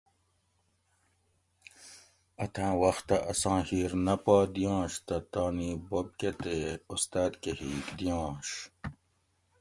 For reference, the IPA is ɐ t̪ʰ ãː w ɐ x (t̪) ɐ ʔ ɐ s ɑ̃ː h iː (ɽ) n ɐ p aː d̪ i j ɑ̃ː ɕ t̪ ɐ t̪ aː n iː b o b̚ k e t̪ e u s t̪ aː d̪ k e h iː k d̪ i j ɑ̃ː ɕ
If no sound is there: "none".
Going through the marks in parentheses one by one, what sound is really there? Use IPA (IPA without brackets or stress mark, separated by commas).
t̪, ɾ